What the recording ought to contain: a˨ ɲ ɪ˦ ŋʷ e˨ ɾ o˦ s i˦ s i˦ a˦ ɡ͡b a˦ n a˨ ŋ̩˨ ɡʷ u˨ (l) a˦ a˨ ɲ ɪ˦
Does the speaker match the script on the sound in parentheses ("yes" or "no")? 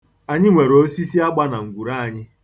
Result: no